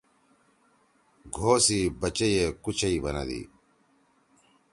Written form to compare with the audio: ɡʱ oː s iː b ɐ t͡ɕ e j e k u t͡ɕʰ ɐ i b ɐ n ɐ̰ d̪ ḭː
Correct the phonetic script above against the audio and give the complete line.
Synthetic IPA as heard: ɡʱ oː s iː b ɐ t͡ɕ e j e k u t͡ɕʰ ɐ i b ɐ n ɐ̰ d̪ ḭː